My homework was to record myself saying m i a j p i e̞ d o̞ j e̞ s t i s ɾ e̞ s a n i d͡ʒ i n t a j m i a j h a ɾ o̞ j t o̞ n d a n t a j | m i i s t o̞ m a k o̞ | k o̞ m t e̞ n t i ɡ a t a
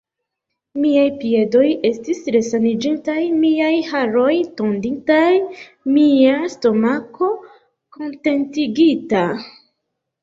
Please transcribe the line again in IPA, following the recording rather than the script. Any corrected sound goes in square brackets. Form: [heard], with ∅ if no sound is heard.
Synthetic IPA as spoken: m i a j p i e̞ d o̞ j e̞ s t i s ɾ e̞ s a n i d͡ʒ i n t a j m i a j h a ɾ o̞ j t o̞ n d [i] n t a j | m i [a] s t o̞ m a k o̞ | k o̞ [n] t e̞ n t i ɡ [i] t a